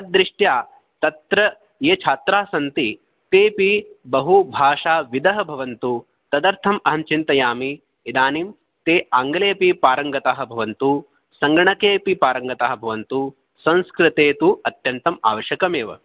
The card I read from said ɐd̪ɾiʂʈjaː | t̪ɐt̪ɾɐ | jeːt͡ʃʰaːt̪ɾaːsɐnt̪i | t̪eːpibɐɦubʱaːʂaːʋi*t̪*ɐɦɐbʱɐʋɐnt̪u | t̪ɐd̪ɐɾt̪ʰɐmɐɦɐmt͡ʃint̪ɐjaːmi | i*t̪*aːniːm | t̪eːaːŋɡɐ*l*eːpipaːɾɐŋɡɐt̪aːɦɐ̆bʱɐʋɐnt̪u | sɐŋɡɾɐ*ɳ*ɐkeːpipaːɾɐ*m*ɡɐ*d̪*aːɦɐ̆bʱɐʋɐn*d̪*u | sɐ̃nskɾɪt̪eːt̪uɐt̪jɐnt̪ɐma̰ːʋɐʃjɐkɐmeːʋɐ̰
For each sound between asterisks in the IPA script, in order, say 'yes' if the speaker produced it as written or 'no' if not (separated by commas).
no, no, yes, yes, no, no, no